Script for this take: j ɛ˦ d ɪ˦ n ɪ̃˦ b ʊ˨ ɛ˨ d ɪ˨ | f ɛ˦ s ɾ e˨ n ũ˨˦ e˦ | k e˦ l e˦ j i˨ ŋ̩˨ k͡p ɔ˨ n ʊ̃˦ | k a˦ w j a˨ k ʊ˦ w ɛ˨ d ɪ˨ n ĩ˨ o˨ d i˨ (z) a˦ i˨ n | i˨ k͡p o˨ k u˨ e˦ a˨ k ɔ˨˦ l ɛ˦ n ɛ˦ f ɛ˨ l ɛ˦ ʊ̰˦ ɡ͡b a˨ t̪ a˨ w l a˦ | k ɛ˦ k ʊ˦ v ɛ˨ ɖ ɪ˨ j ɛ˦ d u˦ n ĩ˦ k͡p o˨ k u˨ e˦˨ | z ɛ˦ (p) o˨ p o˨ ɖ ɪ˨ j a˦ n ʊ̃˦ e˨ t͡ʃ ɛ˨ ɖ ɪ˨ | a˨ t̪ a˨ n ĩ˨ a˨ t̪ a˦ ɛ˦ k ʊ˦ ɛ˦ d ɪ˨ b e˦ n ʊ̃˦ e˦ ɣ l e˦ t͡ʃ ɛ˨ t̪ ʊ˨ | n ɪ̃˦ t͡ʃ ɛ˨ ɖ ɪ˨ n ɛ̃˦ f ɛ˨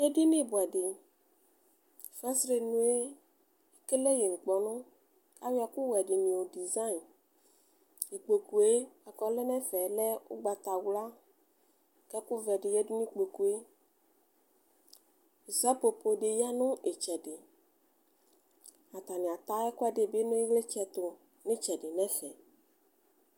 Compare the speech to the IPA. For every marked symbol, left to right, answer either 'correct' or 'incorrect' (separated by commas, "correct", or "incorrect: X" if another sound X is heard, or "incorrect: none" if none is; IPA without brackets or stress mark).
correct, correct